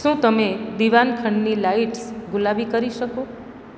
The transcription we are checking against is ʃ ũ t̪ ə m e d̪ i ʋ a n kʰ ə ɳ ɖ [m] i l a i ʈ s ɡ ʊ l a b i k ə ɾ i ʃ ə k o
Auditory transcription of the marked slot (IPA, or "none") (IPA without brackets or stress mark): n